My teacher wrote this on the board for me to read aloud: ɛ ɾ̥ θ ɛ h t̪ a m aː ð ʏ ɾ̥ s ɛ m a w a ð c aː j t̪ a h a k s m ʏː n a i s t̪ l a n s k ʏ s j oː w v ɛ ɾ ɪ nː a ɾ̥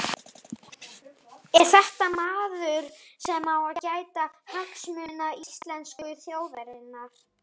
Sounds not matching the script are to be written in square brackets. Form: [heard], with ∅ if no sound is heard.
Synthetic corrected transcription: ɛ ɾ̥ θ ɛ h t̪ a m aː ð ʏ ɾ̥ s ɛ m a w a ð c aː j t̪ a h a k s m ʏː n a i s t̪ l [ɛ] n s k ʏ [θ] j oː w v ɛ ɾ ɪ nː a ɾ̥